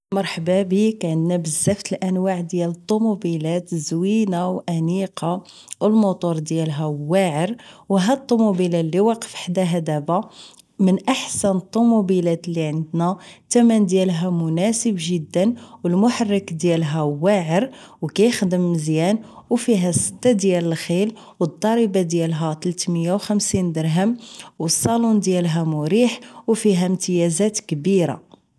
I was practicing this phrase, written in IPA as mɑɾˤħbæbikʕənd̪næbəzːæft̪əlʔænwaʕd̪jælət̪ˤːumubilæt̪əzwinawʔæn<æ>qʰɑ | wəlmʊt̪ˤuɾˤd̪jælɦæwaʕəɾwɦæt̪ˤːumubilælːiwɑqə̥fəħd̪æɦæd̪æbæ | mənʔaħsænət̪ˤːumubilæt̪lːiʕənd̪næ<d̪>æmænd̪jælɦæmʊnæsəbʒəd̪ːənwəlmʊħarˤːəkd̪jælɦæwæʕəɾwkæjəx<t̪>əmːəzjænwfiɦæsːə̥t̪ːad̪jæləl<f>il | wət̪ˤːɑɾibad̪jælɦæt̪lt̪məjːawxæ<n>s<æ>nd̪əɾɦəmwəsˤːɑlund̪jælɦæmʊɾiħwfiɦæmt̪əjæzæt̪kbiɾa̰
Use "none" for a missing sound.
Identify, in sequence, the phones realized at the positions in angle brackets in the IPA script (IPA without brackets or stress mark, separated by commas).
i, t̪, d̪, x, m, i